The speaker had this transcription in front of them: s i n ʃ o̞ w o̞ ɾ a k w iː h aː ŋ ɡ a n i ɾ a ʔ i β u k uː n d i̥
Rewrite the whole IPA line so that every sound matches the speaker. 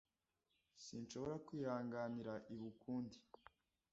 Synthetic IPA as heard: s i n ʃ o̞ β o̞ ɾ a k w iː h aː ŋ ɡ a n i ɾ a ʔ i β u k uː n d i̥

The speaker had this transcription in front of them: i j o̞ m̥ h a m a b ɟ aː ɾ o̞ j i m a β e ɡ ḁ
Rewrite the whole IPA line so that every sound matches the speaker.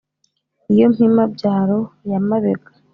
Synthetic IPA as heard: i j o̞ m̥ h i m a b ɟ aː ɾ o̞ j a m a β e ɡ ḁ

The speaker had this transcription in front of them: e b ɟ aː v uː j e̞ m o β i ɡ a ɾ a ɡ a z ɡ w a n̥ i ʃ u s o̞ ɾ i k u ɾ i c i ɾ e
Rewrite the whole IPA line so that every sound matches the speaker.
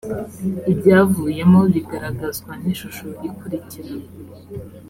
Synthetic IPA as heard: i b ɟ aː v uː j e̞ m o β i ɡ a ɾ a ɡ a z ɡ w a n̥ i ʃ u ʃ o̞ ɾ i k u ɾ i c i ɾ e

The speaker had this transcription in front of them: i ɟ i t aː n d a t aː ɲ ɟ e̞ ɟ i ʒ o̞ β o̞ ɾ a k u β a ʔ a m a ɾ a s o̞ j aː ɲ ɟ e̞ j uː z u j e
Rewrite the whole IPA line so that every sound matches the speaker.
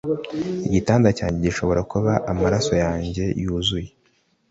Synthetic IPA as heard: i ɟ i t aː n d a c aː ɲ ɟ e̞ ɟ i ʃ o̞ β o̞ ɾ a k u β a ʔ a m a ɾ a s o̞ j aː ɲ ɟ e̞ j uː z u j e

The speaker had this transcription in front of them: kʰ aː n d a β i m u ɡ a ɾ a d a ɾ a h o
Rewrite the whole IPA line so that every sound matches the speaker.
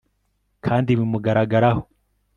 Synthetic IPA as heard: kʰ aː n d i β i m u ɡ a ɾ a ɡ a ɾ a h o

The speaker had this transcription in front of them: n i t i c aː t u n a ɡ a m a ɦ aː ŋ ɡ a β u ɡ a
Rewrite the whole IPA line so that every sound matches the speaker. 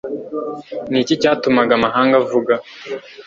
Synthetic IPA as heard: n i c i c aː t u m a ɡ a m a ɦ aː ŋ ɡ a v u ɡ a

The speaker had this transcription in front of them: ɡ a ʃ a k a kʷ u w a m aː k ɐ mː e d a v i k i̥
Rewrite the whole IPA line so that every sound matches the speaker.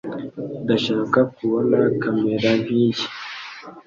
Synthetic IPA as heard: d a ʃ a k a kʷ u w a n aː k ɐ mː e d a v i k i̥

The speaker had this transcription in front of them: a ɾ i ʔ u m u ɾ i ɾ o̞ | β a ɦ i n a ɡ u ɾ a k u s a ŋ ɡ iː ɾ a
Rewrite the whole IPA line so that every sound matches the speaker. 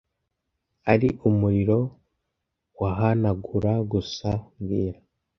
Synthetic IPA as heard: a ɾ i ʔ u m u ɾ i ɾ o̞ | w a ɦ a n a ɡ u ɾ a ɡ u s a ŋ ɡ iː ɾ a

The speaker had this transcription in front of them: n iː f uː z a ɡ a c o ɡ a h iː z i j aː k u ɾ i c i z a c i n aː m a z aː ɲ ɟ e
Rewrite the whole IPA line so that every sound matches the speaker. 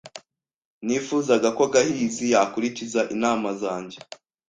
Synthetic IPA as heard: n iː f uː z a ɡ a k o ɡ a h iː z i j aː k u ɾ i c i z a ʔ i n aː m a z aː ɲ ɟ e

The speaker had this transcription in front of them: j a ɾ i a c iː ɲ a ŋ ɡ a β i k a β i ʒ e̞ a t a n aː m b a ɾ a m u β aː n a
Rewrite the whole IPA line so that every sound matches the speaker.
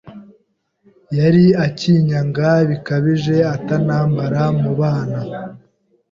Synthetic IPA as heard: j a ɾ i a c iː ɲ a ŋ ɡ a β i k a β i ʒ e̞ a t a n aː m b a ɾ a m u β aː n a

